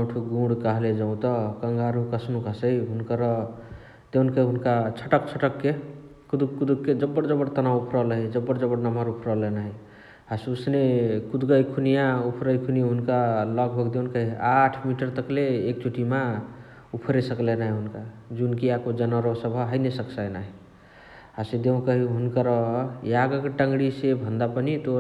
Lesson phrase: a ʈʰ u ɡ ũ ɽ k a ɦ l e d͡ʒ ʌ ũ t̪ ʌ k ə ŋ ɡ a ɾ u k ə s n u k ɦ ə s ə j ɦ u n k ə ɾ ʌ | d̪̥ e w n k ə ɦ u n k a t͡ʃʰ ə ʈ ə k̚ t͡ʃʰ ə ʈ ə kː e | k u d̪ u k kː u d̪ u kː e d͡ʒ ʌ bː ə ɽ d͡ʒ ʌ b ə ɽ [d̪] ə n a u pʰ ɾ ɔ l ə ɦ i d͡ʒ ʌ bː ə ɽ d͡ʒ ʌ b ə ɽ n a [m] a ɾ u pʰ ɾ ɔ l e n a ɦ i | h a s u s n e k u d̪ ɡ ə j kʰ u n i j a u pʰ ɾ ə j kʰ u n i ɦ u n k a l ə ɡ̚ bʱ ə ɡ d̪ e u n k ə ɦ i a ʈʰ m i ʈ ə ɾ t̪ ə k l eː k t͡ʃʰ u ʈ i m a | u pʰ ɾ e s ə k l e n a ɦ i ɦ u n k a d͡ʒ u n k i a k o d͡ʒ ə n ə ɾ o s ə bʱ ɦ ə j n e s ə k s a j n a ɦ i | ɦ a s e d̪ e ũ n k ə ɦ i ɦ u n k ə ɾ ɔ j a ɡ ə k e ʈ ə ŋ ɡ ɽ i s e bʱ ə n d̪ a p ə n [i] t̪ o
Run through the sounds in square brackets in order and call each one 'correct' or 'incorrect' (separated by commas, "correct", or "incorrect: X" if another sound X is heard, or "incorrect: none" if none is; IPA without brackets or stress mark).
incorrect: t̪, correct, correct